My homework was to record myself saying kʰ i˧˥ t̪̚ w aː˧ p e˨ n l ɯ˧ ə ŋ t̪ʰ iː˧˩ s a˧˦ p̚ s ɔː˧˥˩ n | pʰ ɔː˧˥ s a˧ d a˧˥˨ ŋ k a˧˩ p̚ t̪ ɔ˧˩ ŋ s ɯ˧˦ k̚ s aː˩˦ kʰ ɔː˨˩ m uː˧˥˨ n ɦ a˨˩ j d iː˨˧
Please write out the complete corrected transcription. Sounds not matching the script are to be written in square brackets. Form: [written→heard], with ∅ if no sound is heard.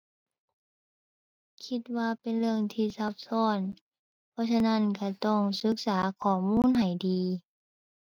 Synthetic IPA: kʰ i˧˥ t̪̚ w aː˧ p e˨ n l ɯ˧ ə ŋ t̪ʰ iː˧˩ s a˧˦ p̚ s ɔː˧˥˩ n | pʰ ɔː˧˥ s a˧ [d→n] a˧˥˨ [ŋ→n] k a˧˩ [p̚→∅] t̪ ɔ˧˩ ŋ s ɯ˧˦ k̚ s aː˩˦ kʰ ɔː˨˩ m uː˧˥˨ n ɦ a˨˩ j d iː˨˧